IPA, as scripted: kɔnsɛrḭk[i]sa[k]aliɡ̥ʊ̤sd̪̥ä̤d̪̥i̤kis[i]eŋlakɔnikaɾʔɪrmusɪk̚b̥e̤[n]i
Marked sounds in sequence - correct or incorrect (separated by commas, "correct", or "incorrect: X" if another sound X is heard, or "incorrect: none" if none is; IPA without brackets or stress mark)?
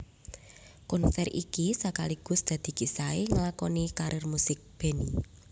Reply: correct, correct, incorrect: a, correct